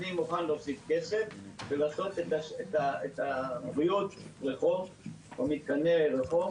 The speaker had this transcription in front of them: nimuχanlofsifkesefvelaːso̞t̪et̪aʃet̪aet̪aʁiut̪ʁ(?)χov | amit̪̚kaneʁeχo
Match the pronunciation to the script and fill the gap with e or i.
e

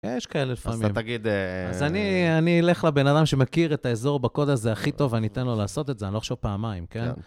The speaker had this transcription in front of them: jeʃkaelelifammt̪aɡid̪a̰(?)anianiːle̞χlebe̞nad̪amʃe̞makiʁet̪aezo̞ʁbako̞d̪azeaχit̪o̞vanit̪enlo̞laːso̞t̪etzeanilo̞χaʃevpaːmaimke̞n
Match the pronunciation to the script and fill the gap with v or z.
z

